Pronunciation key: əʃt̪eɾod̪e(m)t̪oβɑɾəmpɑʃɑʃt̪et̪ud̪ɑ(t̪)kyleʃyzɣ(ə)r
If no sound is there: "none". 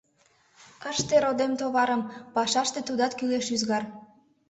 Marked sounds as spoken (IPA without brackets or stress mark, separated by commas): m, t̪, ɑ